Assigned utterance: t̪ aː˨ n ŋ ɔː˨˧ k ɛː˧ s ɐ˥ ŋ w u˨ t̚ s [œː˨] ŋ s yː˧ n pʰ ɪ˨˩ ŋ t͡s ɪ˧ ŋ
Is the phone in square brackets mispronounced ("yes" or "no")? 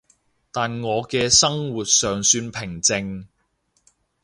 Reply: no